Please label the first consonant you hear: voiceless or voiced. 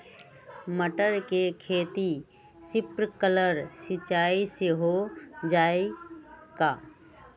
voiced